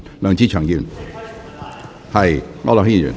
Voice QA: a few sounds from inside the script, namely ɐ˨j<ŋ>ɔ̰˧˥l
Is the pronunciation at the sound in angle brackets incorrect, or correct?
correct